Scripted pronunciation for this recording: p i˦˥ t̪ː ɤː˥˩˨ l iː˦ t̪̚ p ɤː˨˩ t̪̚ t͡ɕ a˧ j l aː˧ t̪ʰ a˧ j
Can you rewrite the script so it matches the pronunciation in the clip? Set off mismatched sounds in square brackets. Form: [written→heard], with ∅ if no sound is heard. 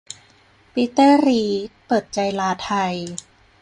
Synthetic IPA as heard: p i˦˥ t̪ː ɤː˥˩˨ [l→ɾ] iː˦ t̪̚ p ɤː˨˩ t̪̚ t͡ɕ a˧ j l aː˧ t̪ʰ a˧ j